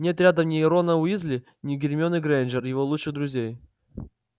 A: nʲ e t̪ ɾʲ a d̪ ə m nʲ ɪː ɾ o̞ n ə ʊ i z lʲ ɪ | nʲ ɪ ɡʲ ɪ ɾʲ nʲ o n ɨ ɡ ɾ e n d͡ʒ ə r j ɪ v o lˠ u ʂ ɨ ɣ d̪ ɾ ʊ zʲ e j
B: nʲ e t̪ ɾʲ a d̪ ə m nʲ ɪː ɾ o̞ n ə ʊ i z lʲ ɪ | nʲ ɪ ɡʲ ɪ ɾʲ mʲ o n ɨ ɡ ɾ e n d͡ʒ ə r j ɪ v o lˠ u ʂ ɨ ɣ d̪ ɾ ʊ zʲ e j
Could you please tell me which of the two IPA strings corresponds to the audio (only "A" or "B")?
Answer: B